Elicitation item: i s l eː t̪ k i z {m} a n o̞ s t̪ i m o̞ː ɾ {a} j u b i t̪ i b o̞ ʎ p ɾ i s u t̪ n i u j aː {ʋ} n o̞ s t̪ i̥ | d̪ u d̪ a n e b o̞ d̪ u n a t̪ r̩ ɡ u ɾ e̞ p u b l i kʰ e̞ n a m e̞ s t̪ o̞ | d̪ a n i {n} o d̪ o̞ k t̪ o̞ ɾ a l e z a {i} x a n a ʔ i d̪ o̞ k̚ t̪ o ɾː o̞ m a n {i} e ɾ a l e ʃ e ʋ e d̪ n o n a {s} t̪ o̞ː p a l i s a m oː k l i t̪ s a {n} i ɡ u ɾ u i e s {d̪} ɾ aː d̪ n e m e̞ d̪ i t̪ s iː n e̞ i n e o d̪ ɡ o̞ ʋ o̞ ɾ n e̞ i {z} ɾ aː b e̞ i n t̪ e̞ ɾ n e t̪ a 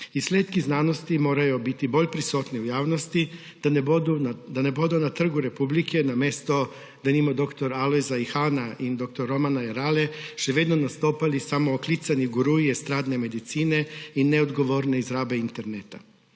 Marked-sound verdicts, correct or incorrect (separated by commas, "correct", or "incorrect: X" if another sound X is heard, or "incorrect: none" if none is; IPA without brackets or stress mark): incorrect: n, correct, correct, incorrect: m, correct, incorrect: a, correct, correct, incorrect: t̪, correct